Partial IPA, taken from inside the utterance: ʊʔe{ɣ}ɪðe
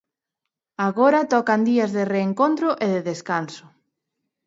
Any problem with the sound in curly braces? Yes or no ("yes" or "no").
yes